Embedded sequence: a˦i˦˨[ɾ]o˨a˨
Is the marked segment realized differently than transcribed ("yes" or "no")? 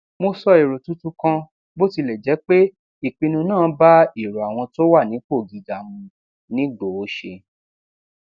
no